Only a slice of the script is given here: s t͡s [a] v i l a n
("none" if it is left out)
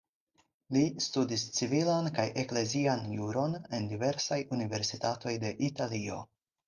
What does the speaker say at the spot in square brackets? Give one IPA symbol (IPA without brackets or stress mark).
i